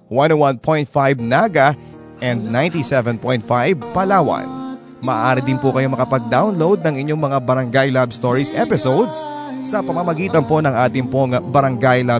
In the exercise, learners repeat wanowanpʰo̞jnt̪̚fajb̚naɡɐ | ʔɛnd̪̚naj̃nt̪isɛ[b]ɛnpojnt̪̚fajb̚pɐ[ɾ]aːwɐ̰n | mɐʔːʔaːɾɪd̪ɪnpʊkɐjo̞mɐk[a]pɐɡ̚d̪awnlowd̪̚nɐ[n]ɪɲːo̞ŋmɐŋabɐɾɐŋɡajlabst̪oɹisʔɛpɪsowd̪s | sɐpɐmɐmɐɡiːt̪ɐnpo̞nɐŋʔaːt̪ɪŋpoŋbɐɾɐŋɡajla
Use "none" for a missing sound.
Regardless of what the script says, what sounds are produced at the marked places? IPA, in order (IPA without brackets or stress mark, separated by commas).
v, l, ɐ, ŋ